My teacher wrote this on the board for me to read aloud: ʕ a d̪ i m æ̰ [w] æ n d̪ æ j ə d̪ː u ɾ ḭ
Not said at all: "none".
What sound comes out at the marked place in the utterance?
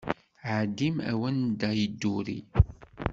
w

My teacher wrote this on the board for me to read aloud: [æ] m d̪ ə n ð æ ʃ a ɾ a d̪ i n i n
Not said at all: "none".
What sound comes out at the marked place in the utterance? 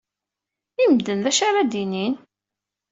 i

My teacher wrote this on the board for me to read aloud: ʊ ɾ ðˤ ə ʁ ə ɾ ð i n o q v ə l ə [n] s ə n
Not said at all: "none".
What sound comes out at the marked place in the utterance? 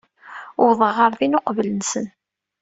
n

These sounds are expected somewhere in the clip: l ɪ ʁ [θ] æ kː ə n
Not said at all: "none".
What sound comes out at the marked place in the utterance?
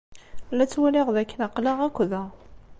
ð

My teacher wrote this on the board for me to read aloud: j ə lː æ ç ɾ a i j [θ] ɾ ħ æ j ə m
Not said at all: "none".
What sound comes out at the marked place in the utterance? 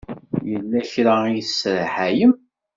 s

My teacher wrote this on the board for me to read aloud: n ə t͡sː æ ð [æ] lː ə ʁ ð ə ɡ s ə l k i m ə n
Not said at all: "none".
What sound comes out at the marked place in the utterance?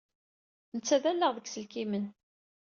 æ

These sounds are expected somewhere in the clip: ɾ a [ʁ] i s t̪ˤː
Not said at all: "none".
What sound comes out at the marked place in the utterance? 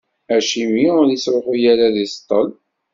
ð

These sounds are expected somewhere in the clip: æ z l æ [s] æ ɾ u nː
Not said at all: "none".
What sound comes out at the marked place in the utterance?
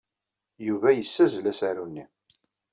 s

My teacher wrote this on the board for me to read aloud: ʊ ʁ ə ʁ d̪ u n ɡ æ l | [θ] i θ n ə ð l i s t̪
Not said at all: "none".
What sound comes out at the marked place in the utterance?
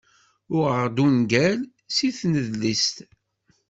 s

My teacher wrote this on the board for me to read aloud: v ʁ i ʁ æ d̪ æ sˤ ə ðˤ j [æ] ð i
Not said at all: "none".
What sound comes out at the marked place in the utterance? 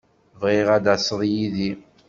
i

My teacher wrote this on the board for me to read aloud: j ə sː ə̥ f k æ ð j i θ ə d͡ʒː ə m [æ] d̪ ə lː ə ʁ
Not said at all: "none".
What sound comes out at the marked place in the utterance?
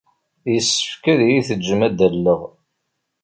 æ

